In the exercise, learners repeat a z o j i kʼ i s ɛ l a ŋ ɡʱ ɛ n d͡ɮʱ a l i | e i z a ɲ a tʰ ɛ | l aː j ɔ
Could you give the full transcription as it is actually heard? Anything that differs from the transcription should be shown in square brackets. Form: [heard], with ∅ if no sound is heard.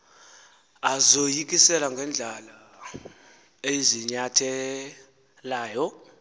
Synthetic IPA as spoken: a z o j i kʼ i s ɛ l a ŋ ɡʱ ɛ n d͡ɮʱ a l [a] | e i z [i] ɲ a tʰ ɛ | l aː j ɔ